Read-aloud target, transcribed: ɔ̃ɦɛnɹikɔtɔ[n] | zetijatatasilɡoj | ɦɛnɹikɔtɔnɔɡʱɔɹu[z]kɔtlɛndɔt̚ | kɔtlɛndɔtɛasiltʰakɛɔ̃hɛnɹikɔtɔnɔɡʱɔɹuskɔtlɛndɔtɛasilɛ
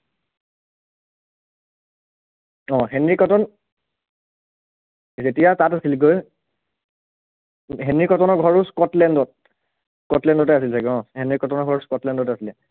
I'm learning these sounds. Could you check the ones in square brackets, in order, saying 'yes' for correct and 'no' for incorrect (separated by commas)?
yes, no